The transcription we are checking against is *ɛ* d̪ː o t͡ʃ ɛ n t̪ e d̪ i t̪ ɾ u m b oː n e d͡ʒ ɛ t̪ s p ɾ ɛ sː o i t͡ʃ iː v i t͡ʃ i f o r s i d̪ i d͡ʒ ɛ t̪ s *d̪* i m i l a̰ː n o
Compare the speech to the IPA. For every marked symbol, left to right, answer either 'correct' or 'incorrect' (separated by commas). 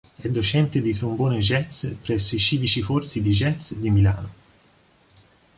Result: correct, correct